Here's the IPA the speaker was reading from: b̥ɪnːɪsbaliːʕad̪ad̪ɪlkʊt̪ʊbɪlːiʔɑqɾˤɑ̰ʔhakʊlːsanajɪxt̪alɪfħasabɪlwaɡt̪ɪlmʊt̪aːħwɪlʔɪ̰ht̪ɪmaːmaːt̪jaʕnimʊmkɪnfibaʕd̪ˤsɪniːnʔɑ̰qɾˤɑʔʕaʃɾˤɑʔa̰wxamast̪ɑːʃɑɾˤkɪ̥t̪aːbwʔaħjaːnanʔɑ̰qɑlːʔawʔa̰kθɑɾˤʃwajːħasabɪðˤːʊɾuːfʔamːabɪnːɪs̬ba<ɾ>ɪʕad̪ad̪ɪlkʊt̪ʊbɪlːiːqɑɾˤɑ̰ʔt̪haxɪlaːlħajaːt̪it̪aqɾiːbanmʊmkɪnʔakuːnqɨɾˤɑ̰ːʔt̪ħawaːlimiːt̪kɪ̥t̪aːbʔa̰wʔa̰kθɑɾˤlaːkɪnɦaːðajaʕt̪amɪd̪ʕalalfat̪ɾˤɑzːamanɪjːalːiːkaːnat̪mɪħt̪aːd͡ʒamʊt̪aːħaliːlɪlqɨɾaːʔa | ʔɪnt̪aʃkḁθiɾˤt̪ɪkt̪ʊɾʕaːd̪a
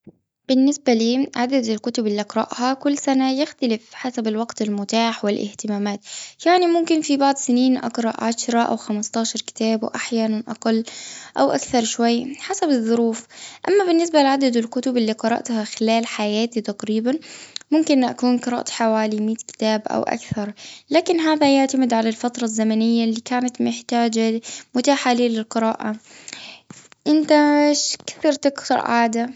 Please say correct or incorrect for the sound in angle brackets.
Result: incorrect